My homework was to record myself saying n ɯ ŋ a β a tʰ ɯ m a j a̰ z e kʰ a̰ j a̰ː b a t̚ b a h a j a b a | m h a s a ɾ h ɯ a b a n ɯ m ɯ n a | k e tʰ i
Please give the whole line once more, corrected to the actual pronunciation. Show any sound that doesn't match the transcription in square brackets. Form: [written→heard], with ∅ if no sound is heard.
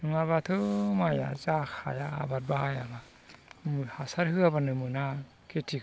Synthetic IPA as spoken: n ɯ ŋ a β a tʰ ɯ m a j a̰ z [e→a] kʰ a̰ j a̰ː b a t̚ b a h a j a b a | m h a s a ɾ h ɯ a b a n ɯ m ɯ n a | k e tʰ i

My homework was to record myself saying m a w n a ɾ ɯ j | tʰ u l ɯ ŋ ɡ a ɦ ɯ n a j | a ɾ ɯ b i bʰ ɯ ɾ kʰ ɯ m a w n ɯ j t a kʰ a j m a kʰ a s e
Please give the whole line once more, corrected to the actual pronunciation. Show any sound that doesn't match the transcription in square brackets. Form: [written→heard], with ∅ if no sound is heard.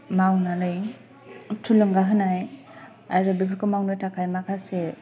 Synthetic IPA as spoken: m a w n a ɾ ɯ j | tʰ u l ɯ ŋ ɡ a ɦ ɯ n a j | a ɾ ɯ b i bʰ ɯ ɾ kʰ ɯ m a w n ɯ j t a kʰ a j m a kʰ a s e

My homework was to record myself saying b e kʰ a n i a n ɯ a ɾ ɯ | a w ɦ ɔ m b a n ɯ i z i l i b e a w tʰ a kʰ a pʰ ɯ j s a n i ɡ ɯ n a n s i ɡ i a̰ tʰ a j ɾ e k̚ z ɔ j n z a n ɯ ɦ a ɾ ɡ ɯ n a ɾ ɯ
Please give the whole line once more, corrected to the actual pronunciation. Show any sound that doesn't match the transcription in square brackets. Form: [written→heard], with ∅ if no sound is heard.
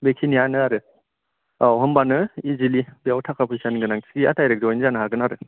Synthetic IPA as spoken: b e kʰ [a→i] n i a n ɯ a ɾ ɯ | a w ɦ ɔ m b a n ɯ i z i l i b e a w tʰ a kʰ a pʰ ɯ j s a n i ɡ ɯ n a [n→ŋ] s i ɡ i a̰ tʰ a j ɾ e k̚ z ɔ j n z a n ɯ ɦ a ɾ ɡ ɯ n a ɾ ɯ

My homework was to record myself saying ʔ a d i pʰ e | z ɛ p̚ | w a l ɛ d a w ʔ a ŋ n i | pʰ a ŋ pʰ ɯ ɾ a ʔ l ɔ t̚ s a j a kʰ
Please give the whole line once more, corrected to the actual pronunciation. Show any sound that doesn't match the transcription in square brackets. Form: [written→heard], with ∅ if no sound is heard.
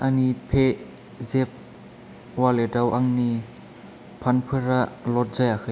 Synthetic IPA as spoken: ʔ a [d→n] i pʰ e | z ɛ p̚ | w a l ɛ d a w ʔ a ŋ n i | pʰ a [ŋ→n] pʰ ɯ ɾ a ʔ l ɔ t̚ [s→z] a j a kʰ

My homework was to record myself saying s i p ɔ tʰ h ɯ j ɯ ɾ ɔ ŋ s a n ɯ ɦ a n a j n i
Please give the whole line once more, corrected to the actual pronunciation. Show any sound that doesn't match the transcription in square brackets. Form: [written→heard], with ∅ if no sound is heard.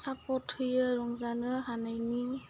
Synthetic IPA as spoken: s [i→a] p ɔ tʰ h ɯ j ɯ ɾ ɔ ŋ [s→z] a n ɯ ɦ a n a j n i

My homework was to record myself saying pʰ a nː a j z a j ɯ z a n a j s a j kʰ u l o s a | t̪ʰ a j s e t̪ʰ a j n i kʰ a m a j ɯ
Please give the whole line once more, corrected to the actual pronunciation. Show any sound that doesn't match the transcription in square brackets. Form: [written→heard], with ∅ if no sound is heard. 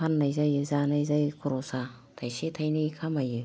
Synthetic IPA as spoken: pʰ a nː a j z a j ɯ z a n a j [s→z] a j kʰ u [l→ɾ] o s a | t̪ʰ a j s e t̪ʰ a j n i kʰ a m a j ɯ

